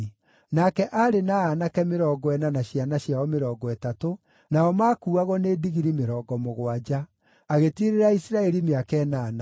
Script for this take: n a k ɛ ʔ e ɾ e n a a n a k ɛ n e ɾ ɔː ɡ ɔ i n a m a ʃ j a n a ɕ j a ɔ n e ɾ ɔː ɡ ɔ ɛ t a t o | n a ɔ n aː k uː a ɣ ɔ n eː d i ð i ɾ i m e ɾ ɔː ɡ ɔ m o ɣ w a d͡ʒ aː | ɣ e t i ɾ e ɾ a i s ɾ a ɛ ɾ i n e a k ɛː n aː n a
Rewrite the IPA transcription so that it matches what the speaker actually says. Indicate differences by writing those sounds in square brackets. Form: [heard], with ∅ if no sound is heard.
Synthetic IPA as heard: n a k ɛ ʔ [a] ɾ e n a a n a k ɛ [m] e ɾ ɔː ɡ ɔ [ɛ] n a [n] a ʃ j a n a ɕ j a ɔ [m] e ɾ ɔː ɡ ɔ ɛ t a t o | n a ɔ [m] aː k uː a ɣ ɔ n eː d i [ɣ] i ɾ i m e ɾ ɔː ɡ ɔ m o ɣ w a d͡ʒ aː | ɣ e t i ɾ e ɾ a i s ɾ a ɛ ɾ i [m] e a k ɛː n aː n a

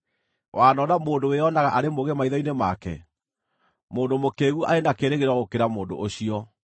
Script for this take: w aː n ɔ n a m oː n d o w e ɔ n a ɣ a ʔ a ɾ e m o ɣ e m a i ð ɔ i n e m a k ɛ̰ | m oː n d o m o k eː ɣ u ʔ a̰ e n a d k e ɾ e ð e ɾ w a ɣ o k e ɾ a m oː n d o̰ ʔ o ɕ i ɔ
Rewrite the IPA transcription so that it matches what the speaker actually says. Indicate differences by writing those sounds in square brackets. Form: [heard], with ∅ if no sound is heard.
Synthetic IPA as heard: w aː n ɔ n a m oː n d o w e ɔ n a ɣ a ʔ a ɾ e m o ɣ e m a i ð ɔ i n e m a k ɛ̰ | m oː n d o m o k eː ɣ u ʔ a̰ e n a [∅] k e ɾ e [ɣ] e ɾ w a ɣ o k e ɾ a m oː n d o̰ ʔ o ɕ i ɔ

